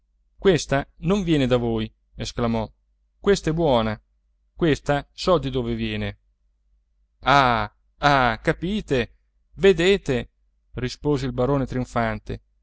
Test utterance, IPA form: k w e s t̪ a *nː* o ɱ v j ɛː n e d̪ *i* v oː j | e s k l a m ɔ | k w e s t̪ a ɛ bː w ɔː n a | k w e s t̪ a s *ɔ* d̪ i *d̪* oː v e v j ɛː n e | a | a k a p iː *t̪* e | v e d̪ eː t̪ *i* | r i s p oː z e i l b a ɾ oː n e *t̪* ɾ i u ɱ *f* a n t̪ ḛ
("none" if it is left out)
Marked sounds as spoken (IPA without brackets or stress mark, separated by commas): n, a, ɔ, d̪, t̪, e, t̪, f